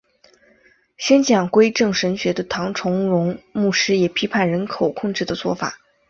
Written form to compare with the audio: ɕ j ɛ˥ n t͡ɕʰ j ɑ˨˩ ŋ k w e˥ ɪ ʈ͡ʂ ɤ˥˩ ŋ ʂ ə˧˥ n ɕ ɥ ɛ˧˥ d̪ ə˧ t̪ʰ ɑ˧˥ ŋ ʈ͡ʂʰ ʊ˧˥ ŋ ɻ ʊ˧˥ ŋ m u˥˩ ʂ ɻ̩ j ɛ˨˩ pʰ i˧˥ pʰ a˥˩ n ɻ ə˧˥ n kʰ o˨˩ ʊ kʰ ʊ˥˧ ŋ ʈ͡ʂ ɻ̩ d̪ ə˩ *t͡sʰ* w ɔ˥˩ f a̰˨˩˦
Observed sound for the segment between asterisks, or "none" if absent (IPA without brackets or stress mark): t͡s